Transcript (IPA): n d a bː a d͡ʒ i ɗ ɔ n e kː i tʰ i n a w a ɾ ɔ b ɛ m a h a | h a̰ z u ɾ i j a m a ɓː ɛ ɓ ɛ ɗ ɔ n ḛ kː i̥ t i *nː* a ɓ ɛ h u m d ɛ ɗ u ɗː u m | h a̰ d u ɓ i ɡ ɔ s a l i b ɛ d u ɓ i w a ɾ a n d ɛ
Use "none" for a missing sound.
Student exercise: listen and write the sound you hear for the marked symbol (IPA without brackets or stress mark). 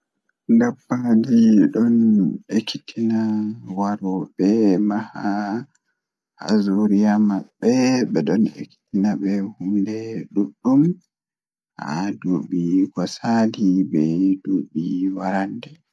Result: n